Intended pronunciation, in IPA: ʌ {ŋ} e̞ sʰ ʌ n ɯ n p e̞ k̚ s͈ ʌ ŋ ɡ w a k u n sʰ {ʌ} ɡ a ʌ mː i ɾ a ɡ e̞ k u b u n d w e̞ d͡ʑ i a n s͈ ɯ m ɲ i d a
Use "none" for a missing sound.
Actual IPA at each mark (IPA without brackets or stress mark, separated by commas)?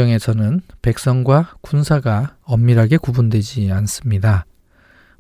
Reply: ŋ, a